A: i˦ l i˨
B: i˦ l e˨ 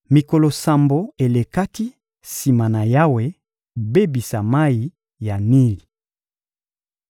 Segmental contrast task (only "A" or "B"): A